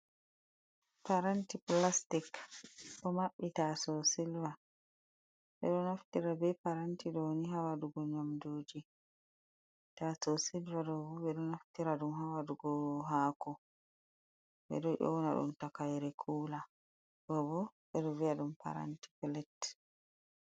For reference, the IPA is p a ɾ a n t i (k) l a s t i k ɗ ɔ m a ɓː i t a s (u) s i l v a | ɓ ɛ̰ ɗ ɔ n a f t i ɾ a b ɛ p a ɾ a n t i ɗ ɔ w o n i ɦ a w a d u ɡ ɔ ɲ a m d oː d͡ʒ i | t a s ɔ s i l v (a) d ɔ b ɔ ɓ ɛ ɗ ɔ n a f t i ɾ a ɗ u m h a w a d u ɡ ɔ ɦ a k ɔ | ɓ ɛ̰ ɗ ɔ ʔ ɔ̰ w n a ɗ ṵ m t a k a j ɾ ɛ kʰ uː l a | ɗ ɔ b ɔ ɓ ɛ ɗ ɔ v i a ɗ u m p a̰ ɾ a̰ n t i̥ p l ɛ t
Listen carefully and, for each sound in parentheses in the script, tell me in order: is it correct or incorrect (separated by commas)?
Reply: incorrect, incorrect, correct